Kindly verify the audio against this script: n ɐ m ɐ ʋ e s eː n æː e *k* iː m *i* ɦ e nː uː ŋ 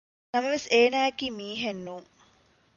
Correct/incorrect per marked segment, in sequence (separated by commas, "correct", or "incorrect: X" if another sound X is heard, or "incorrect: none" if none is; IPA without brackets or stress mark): correct, incorrect: iː